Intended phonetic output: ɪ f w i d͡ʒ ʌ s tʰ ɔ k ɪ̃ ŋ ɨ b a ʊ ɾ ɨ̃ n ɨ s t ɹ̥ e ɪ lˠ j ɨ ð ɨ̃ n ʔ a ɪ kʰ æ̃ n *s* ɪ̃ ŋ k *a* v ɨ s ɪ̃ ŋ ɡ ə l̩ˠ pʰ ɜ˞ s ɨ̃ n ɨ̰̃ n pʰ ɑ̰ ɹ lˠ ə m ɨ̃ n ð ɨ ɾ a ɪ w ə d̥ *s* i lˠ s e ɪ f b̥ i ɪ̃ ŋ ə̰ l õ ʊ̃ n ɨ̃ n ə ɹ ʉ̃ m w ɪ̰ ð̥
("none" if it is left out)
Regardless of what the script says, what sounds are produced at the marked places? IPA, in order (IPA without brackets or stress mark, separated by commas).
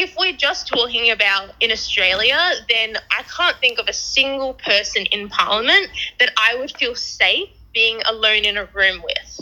θ, ʌ, f